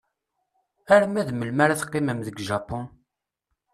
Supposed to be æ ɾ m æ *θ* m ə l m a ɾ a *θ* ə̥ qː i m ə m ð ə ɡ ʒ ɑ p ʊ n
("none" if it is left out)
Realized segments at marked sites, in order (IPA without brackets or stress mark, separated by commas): ð, θ